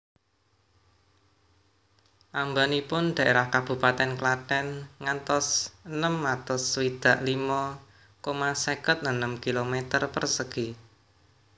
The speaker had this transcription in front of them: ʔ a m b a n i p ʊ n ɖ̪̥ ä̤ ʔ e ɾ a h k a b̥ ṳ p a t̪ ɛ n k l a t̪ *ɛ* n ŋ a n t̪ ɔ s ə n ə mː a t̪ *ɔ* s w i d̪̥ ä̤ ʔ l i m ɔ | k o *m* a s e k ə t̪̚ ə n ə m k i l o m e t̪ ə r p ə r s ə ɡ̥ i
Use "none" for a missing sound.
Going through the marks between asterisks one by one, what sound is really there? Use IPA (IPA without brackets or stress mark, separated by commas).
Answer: ɛ, ɔ, m